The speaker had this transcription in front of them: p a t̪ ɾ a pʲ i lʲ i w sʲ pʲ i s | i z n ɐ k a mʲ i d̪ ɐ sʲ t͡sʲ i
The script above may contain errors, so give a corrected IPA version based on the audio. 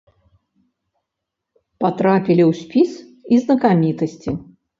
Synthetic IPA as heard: p a t̪ ɾ a pʲ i lʲ i w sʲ pʲ i s | i z n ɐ k a mʲ i t̪ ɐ sʲ t͡sʲ i